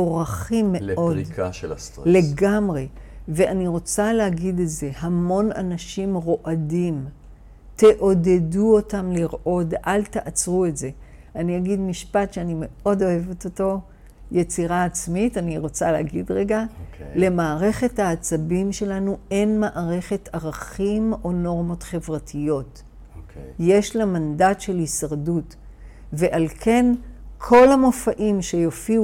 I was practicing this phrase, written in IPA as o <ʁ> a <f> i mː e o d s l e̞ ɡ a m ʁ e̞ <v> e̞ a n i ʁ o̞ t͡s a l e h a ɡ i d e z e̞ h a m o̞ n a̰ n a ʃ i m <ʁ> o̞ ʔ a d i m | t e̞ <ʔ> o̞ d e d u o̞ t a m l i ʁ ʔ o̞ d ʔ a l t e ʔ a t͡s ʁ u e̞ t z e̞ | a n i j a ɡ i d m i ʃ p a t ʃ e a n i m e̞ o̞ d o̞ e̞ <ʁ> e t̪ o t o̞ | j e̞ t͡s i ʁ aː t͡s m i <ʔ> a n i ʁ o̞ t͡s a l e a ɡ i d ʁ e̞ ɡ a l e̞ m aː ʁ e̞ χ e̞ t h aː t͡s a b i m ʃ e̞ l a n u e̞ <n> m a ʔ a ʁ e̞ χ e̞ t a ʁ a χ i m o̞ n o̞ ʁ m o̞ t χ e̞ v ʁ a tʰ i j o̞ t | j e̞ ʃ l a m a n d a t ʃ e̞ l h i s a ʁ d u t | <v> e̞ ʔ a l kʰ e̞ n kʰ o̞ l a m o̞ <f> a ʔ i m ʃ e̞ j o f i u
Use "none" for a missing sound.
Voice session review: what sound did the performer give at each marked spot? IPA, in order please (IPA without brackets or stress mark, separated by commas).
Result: ʁ, χ, v, ʁ, ʔ, v, t, n, v, f